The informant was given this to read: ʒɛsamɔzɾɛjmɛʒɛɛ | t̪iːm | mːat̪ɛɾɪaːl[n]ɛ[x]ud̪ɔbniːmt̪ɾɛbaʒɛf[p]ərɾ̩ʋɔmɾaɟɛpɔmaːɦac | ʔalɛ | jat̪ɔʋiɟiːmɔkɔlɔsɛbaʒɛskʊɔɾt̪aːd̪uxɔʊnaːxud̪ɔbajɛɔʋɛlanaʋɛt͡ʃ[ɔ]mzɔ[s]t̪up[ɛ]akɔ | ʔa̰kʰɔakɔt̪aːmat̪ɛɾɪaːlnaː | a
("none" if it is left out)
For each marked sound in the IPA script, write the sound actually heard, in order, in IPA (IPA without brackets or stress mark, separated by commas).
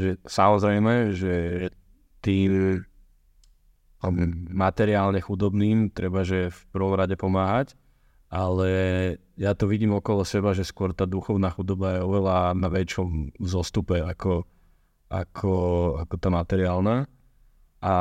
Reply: ɲ, x, p, ɔ, s, ɛ